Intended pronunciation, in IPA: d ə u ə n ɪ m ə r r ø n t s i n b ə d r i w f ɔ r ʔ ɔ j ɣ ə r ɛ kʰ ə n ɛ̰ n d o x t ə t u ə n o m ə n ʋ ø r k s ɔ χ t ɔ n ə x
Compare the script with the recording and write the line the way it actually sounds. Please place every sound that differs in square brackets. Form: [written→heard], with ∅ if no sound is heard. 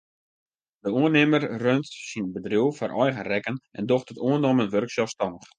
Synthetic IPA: d ə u ə n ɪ m ə r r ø n t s i n b ə d r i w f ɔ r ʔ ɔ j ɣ ə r ɛ [kʰ→k] ə n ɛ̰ n d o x t ə t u ə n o m ə n ʋ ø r k s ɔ [χ→s] t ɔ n ə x